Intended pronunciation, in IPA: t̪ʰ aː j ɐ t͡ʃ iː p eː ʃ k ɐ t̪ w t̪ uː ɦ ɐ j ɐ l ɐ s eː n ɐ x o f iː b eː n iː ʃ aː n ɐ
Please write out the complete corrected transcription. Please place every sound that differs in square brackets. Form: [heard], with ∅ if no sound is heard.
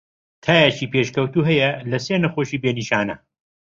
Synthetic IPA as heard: t̪ʰ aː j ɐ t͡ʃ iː p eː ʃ k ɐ [∅] w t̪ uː ɦ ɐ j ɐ l ɐ s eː n ɐ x o [ʃ] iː b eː n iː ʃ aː n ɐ